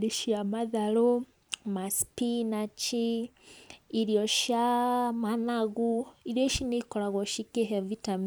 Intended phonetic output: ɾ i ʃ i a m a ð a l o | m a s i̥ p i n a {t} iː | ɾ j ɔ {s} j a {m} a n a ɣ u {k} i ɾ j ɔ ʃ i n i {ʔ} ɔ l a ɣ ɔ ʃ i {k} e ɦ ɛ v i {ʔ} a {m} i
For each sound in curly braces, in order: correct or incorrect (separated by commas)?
incorrect, incorrect, correct, incorrect, incorrect, correct, incorrect, correct